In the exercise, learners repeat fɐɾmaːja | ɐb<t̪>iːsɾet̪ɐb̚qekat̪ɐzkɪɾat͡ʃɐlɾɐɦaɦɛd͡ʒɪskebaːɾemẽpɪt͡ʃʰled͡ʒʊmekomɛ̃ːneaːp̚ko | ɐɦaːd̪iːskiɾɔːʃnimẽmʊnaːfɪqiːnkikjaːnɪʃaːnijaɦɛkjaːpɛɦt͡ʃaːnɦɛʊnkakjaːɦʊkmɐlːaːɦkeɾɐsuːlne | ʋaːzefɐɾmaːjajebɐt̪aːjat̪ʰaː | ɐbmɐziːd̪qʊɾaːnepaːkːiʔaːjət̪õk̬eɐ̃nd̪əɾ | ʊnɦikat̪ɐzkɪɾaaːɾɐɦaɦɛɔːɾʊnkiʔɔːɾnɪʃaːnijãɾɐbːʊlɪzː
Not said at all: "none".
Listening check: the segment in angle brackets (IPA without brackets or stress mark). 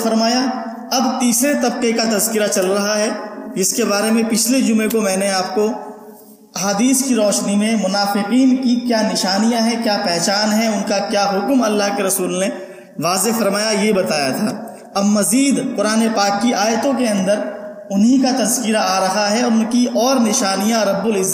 t̪